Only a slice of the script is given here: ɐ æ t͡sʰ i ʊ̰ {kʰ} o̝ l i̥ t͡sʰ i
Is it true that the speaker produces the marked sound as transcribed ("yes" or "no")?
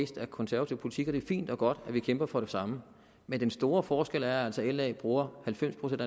no